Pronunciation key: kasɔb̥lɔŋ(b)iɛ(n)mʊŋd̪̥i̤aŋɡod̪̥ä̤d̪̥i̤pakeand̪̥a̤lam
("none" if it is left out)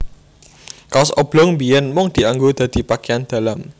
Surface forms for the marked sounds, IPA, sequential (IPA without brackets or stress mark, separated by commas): b, n